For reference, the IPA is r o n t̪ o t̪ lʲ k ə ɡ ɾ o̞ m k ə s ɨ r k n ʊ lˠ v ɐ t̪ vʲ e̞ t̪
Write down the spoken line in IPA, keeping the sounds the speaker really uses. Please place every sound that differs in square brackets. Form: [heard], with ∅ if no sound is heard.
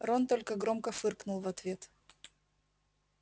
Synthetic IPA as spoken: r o n t̪ o [∅] lʲ k ə ɡ ɾ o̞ m k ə [f] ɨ r k n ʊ lˠ v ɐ t̪ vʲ e̞ t̪